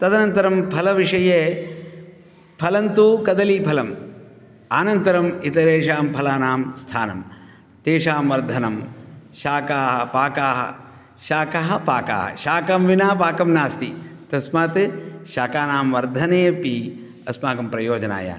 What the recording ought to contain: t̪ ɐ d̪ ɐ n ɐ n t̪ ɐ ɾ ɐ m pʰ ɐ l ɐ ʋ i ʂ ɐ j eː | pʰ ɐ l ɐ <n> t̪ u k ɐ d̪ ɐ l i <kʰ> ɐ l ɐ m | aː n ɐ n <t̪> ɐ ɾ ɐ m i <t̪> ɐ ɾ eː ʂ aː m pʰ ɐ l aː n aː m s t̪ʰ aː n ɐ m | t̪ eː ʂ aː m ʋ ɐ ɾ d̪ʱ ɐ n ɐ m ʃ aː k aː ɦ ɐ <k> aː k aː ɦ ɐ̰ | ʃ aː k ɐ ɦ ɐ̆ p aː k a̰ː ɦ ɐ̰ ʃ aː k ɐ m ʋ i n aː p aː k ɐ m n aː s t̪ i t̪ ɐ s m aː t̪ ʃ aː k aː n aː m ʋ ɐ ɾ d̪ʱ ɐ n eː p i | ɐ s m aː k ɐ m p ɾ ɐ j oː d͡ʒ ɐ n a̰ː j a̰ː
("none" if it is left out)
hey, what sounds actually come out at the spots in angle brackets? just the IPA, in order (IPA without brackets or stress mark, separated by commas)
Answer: n, pʰ, t̪, t̪, p